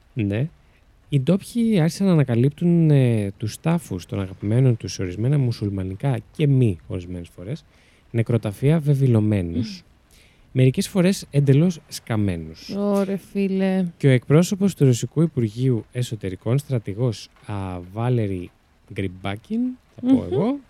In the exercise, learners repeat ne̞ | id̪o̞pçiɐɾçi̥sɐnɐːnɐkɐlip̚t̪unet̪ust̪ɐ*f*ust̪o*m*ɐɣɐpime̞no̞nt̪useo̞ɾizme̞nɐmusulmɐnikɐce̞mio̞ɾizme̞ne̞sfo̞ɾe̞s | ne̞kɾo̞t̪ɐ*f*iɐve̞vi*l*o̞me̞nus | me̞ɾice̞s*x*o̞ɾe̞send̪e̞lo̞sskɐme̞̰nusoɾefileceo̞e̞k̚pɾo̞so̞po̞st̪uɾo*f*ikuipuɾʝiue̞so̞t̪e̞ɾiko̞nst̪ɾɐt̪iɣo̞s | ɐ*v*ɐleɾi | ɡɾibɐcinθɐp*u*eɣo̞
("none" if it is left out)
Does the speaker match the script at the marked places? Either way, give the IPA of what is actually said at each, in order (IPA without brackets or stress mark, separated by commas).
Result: f, n, f, l, f, s, v, o